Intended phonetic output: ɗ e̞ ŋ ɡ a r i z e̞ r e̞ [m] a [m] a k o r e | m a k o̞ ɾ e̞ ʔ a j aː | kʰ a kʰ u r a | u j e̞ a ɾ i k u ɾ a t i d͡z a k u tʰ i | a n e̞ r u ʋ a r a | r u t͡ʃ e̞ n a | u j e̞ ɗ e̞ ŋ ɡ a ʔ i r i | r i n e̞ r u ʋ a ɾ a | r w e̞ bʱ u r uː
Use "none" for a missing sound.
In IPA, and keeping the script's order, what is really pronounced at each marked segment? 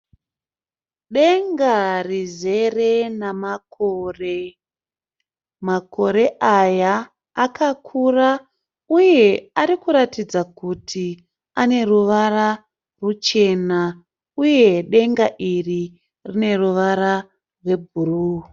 n, m

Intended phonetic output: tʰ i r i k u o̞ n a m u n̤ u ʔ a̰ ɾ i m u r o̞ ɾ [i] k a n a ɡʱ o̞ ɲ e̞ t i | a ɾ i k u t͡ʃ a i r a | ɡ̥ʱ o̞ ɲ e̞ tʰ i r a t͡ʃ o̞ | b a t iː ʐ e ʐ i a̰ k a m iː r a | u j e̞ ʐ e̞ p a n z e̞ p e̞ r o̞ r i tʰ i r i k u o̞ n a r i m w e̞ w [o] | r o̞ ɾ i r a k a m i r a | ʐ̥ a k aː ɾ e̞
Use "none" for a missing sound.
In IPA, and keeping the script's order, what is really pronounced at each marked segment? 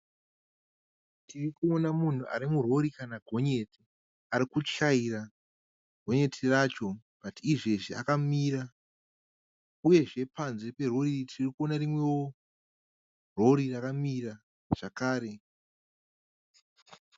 i, o

